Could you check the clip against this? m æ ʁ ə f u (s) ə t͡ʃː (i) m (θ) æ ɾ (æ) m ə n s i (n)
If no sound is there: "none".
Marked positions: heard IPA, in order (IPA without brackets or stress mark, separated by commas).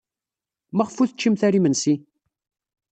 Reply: θ, i, θ, i, none